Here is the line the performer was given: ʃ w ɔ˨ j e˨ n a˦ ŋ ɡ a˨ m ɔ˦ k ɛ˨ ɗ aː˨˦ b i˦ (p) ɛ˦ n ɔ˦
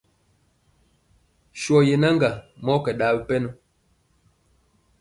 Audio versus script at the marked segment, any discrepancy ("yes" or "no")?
no